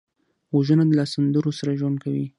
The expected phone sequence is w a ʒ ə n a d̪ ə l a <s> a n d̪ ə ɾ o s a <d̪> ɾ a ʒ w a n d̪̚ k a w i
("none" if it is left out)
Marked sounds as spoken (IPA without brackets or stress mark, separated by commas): s, none